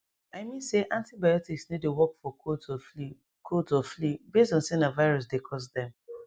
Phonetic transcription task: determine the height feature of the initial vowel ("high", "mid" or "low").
low